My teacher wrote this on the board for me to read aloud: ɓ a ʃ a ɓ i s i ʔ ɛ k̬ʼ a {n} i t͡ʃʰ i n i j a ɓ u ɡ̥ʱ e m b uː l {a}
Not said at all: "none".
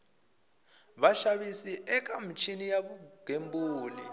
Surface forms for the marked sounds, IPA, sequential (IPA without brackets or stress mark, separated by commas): m, i